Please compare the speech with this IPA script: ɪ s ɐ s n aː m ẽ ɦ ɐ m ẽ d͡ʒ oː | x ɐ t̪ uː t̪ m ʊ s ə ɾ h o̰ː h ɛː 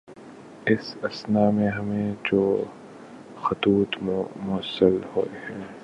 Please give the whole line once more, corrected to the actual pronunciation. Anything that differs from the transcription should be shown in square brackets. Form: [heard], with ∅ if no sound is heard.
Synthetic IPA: ɪ s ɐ s n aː m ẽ ɦ ɐ m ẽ d͡ʒ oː | x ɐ t̪ uː t̪ m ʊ s ə [l] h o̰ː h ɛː